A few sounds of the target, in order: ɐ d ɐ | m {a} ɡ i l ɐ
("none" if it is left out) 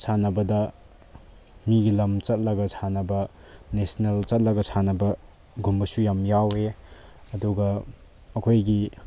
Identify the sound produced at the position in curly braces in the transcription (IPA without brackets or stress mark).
i